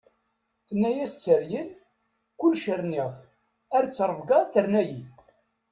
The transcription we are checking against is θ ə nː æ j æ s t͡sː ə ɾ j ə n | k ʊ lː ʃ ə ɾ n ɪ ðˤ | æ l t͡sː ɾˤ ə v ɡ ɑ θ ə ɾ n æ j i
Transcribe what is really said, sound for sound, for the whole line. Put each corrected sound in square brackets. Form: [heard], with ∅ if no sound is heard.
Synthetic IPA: θ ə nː æ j æ s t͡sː ə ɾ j ə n | k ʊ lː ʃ ə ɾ n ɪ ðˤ | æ [ɾ] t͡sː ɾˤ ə v ɡ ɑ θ ə ɾ n æ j i